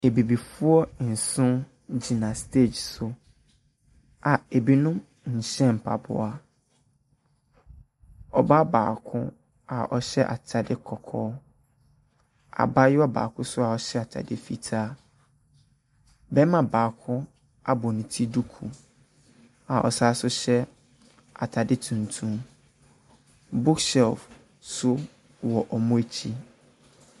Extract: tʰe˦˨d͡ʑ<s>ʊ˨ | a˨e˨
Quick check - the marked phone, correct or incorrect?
correct